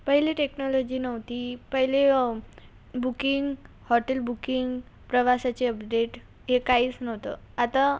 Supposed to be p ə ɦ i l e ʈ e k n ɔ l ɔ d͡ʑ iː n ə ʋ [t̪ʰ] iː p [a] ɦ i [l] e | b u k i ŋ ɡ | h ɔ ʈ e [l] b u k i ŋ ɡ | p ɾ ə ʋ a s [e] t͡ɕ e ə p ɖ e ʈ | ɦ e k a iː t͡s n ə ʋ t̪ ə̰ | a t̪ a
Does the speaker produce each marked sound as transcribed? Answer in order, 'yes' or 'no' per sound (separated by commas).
no, no, yes, yes, no